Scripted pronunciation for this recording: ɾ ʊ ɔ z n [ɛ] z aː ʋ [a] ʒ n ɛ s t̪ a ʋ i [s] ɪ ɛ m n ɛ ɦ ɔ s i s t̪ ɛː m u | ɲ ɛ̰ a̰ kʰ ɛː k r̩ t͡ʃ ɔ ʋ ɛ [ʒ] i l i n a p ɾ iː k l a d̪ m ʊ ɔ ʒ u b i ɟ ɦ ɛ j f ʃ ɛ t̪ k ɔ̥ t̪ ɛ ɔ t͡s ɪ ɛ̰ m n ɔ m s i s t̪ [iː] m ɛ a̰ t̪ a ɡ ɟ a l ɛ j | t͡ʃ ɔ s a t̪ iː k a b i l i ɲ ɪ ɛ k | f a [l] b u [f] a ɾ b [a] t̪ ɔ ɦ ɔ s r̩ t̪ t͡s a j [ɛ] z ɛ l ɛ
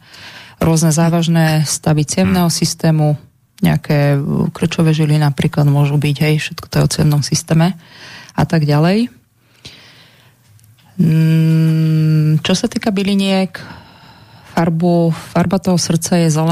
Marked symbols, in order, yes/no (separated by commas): yes, yes, no, yes, no, no, yes, yes, yes